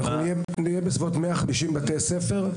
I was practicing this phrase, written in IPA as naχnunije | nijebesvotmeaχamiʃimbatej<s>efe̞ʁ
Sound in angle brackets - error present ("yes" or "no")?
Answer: no